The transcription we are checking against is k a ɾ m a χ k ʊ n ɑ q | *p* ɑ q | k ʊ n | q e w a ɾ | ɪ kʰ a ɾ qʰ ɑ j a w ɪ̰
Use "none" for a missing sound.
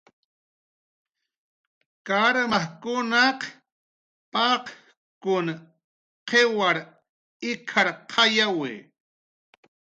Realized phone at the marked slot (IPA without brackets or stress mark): p